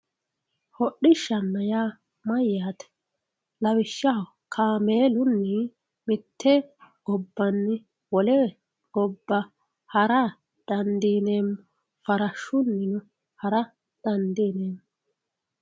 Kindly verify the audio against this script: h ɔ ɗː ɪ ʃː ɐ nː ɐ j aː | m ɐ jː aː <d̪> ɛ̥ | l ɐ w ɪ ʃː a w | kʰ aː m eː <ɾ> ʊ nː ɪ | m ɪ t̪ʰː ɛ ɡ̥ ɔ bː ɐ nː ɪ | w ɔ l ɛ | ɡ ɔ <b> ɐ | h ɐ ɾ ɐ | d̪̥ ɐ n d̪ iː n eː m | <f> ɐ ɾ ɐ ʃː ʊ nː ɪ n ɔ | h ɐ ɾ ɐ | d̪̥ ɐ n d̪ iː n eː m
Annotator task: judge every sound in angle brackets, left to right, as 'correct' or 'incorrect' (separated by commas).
incorrect, incorrect, incorrect, correct